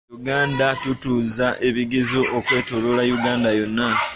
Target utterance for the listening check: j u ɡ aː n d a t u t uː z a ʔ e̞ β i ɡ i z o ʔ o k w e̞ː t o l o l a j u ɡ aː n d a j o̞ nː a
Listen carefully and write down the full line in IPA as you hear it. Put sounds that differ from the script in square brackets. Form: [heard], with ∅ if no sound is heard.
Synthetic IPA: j u ɡ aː n d a t u t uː z a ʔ e̞ β i ɡ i z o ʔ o k w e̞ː t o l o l a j u ɡ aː n d a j o̞ nː a